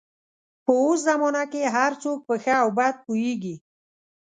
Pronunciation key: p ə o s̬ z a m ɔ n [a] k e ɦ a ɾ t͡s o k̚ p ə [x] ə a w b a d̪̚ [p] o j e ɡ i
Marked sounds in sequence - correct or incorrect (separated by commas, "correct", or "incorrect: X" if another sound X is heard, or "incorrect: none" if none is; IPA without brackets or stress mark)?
correct, correct, correct